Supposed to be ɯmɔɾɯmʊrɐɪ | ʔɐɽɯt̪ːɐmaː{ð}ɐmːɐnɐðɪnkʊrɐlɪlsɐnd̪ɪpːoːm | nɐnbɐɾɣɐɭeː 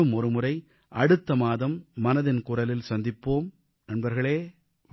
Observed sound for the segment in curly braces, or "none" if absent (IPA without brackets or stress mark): ð